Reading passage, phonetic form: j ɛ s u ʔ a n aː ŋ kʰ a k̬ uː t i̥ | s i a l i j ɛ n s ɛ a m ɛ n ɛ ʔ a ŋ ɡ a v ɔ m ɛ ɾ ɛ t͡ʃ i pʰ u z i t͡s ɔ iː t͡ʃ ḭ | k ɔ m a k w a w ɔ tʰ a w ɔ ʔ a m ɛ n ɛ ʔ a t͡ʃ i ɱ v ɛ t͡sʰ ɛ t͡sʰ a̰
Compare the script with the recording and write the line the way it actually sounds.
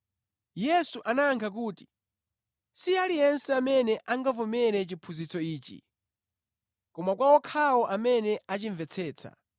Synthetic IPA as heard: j ɛ s u ʔ a n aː ŋ kʰ a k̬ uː t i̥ | s i a l i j ɛ n s ɛ a m ɛ n ɛ ʔ a ŋ ɡ a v ɔ m ɛ ɾ ɛ t͡ʃ i pʰ u z i t͡s ɔ iː t͡ʃ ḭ | k ɔ m a k w a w ɔ kʰ a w ɔ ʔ a m ɛ n ɛ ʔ a t͡ʃ i ɱ v ɛ t͡sʰ ɛː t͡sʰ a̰